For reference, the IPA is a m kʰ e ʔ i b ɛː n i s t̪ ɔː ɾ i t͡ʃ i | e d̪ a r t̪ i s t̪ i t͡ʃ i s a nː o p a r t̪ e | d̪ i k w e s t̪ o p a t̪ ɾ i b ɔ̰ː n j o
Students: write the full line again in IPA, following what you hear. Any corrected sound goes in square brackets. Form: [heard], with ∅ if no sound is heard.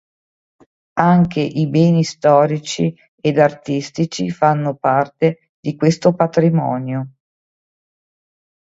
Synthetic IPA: a [ŋ] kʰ e ʔ i b ɛː n i s t̪ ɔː ɾ i t͡ʃ i | e d̪ a r t̪ i s t̪ i t͡ʃ i [f] a nː o p a r t̪ e | d̪ i k w e s t̪ o p a t̪ ɾ i [m] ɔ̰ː n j o